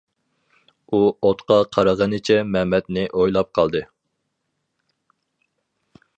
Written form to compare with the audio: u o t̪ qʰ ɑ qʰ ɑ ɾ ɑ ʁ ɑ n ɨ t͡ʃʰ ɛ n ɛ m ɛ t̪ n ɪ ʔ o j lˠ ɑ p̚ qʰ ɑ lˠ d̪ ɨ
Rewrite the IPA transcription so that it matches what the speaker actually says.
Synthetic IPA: u o t̪ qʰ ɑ qʰ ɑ ɾ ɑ ʁ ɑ n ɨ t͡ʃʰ ɛ m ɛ m ɛ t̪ n ɪ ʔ o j lˠ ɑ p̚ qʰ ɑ lˠ d̪ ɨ

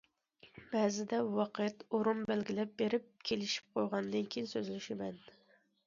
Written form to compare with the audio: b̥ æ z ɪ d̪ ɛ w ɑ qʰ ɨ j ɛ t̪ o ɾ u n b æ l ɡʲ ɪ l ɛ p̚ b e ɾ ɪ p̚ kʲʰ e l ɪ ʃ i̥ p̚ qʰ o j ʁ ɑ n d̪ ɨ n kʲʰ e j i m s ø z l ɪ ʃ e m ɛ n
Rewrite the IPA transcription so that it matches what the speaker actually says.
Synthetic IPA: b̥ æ z ɪ d̪ ɛ w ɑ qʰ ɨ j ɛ t̪ o ɾ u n b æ l ɡʲ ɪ l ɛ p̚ b e ɾ ɪ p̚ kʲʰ e l ɪ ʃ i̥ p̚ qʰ o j ʁ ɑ n d̪ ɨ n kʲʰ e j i n s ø z l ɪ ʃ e m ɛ n

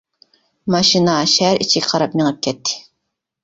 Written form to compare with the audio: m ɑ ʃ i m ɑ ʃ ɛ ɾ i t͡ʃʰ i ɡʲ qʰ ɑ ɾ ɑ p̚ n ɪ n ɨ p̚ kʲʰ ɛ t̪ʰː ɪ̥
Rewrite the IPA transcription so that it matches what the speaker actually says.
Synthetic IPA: m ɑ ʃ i n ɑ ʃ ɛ ɾ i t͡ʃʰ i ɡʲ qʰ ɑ ɾ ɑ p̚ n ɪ ŋ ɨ p̚ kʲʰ ɛ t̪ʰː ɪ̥

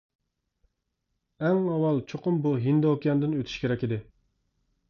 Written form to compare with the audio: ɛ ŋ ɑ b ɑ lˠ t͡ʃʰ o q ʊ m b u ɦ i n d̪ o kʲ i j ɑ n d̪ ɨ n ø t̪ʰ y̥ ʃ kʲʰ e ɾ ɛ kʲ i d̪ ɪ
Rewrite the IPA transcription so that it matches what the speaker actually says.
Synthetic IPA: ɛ ŋ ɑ w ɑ lˠ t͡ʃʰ o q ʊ m b u ɦ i n d̪ o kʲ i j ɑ n d̪ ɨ n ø t̪ʰ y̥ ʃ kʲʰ e ɾ ɛ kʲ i d̪ ɪ

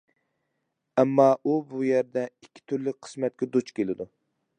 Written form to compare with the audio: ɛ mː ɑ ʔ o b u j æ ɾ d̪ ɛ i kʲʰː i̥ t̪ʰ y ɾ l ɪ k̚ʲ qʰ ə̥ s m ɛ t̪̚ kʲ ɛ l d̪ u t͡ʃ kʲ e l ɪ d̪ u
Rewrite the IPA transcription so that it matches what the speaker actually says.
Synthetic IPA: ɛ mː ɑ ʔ u b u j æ ɾ d̪ ɛ i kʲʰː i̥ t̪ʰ y ɾ l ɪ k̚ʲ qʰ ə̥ s m ɛ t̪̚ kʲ ɛ d̪ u t͡ʃ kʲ e l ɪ d̪ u

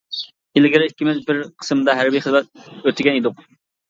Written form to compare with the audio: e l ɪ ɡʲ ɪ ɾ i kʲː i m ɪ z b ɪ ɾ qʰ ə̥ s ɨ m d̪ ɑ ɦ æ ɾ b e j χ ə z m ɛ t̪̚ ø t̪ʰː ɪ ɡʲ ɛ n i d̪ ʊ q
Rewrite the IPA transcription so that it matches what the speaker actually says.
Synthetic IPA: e l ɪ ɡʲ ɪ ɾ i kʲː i m ɪ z b ɪ ɾ qʰ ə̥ s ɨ m d̪ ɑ ɦ æ ɾ b i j χ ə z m ɛ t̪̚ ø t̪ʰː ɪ ɡʲ ɛ n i d̪ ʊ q

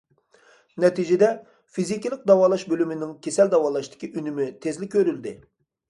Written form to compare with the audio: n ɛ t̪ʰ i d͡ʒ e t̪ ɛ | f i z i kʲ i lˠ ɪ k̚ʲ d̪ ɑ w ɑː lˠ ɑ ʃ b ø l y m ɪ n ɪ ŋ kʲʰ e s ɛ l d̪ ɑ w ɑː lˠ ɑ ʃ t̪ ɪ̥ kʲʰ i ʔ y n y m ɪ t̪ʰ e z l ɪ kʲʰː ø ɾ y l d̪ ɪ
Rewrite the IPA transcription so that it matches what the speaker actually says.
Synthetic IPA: n ɛ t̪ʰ i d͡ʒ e d̪ ɛ | f i z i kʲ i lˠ ɪ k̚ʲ d̪ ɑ w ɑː lˠ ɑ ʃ b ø l y m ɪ n ɪ ŋ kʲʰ e s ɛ l d̪ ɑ w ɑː lˠ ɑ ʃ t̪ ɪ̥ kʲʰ i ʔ y n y m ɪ t̪ʰ e z l ɪ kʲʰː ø ɾ y l d̪ ɪ

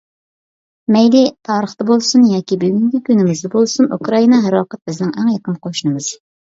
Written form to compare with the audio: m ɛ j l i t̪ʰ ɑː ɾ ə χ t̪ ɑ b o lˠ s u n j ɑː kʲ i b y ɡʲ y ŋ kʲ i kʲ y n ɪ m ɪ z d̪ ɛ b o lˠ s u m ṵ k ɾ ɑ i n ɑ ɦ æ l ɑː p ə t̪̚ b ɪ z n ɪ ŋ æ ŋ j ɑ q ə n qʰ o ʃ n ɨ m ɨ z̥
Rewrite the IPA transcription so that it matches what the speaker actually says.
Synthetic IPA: m ɛ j l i t̪ʰ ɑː ɾ ə χ t̪ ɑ b o lˠ s u n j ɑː kʲ i b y ɡʲ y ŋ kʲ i kʲ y n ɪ m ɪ z d̪ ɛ b o lˠ s u n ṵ k ɾ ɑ i n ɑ ɦ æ ɾ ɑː q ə t̪̚ b ɪ z n ɪ ŋ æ ŋ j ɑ q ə n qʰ o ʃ n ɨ m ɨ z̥

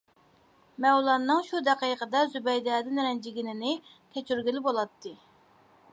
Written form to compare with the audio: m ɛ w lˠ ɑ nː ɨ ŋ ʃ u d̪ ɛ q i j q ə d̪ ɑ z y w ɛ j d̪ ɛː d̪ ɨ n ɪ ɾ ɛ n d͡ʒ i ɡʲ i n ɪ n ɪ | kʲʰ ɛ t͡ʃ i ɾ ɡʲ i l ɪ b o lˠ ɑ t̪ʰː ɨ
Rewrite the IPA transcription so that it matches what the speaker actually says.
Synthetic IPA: m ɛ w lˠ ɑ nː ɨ ŋ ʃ u d̪ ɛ q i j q ə d̪ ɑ z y b ɛ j d̪ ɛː d̪ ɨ n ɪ ɾ ɛ n d͡ʒ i ɡʲ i n ɪ n ɪ | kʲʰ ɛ t͡ʃ y ɾ ɡʲ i l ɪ b o lˠ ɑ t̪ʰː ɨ

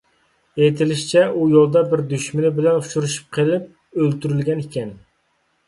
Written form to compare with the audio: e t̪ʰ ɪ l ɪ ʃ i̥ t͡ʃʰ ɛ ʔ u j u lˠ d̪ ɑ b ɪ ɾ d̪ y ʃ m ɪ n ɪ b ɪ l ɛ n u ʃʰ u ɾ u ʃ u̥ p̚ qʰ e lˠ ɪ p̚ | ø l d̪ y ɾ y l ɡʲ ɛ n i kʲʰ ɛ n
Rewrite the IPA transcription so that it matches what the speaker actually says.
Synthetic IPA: e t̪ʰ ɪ l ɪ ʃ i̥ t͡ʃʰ ɛ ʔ u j o lˠ d̪ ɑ b ɪ ɾ d̪ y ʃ m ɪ n ɪ b ɪ l ɛ n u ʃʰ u ɾ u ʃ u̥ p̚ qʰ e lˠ ɪ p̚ | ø l t̪ y ɾ y l ɡʲ ɛ n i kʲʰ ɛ n

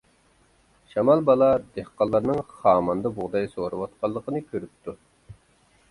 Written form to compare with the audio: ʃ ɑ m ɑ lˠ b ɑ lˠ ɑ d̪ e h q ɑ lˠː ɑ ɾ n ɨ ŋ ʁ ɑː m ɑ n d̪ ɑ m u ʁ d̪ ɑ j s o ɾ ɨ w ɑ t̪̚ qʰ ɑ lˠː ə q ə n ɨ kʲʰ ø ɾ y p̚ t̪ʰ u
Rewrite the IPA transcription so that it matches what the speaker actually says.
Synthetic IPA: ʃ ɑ m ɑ lˠ b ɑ lˠ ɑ d̪ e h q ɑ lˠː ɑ ɾ n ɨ ŋ χ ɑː m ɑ n d̪ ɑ b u ʁ d̪ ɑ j s o ɾ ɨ w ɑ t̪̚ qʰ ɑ lˠː ə q ə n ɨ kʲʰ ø ɾ y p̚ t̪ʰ u

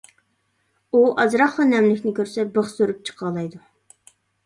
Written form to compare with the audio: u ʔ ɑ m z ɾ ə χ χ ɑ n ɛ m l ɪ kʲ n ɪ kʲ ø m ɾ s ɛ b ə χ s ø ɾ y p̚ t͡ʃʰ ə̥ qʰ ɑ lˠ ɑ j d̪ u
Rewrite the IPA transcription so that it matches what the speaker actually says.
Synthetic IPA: u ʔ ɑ z ɾ ɑ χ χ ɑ n ɛ m l ɪ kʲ n ɪ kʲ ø ɾ s ɛ b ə χ s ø ɾ y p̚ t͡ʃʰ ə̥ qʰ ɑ lˠ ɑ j d̪ u

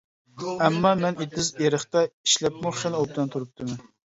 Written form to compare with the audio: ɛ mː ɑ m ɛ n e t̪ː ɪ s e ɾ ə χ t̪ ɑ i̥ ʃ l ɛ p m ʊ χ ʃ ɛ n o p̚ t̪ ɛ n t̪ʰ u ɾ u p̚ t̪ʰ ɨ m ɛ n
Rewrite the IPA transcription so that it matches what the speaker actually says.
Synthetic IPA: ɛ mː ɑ m ɛ n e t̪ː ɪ z e ɾ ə χ t̪ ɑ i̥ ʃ l ɛ p m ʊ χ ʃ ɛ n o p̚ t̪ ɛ n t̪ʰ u ɾ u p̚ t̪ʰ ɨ m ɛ n

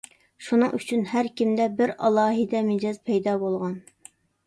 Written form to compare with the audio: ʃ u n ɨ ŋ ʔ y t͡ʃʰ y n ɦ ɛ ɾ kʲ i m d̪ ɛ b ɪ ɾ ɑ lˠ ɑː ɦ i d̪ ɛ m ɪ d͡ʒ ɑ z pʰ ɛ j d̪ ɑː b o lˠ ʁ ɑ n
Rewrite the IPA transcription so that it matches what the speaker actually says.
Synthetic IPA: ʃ u n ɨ ŋ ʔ y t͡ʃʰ y n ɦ æ ɾ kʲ i m d̪ ɛ b ɪ ɾ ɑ lˠ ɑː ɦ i d̪ ɛ m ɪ d͡ʒ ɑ z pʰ ɛ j d̪ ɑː b o lˠ ʁ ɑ n

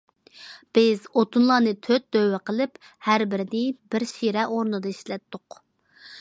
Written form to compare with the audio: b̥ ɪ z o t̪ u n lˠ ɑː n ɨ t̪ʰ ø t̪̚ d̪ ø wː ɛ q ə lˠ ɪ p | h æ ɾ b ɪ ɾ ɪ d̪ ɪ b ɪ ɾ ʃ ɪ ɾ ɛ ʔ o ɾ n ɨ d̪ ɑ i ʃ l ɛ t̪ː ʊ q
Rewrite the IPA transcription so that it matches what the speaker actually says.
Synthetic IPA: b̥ ɪ z o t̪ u n lˠ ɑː n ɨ t̪ʰ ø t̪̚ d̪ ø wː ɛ q ə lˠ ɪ p | h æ ɾ b ɪ ɾ ɪ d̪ ɪ b ɪ ɾ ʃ i ɾ ɛ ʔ o ɾ n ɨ d̪ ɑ i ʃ l ɛ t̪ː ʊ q

